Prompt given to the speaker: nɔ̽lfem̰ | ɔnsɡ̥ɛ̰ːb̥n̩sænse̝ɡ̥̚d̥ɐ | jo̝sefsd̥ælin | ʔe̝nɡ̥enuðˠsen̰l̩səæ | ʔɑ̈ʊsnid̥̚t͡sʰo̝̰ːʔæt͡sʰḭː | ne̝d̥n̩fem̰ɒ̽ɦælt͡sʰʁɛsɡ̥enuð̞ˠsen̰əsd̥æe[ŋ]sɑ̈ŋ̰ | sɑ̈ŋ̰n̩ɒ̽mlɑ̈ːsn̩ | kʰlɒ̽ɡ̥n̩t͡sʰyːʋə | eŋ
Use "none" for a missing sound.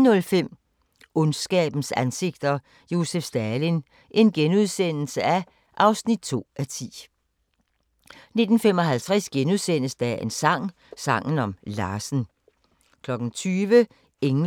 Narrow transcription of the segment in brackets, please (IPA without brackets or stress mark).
n